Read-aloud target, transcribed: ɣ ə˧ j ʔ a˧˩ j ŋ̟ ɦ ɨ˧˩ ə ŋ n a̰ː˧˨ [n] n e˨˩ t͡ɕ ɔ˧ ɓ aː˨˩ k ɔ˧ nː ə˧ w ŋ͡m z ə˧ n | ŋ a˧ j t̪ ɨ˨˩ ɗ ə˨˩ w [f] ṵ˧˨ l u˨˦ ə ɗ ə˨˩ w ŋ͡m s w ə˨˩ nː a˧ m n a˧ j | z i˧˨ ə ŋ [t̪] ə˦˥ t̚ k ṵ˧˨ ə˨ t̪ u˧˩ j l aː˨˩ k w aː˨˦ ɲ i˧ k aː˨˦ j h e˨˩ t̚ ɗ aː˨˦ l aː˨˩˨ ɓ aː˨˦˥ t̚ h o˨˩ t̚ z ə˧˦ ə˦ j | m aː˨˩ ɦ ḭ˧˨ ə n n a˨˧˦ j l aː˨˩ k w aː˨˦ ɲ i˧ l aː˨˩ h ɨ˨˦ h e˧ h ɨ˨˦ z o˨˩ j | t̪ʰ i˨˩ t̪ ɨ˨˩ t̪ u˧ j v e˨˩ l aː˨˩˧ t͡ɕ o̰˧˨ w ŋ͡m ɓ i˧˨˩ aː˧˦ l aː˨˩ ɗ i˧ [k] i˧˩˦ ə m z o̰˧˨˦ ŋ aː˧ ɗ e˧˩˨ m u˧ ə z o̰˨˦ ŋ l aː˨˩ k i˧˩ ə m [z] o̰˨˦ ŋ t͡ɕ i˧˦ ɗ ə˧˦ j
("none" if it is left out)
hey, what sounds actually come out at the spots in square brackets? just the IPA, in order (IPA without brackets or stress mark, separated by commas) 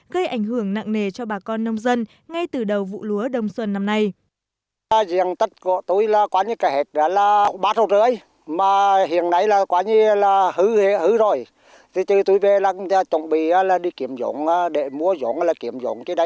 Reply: ŋ, v, t̪, k, z